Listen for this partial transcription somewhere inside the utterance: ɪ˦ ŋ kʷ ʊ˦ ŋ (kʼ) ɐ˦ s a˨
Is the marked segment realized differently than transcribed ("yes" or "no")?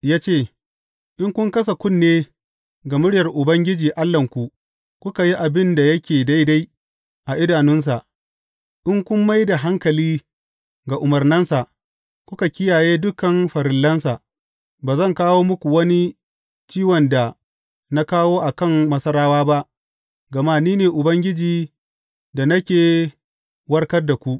yes